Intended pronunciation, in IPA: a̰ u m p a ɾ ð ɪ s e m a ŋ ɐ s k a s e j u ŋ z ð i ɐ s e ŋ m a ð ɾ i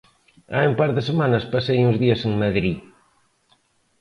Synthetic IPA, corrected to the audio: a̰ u m p a ɾ ð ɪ s e m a n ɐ s p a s e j u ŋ z ð i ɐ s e ŋ m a ð ɾ i